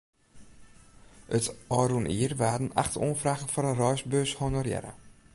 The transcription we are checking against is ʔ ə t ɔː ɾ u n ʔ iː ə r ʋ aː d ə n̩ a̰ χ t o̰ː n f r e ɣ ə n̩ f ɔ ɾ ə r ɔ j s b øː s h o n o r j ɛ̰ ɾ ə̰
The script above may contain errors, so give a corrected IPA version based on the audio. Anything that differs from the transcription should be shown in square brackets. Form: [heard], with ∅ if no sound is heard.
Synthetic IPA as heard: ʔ ə t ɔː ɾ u n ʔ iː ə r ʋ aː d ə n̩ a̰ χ t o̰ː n f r [a] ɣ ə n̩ f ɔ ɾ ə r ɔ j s b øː s h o n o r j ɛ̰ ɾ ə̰